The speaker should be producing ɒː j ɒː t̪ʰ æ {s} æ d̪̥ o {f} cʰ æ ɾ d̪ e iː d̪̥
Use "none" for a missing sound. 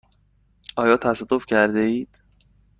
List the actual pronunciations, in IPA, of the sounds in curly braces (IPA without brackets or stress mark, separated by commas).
s, f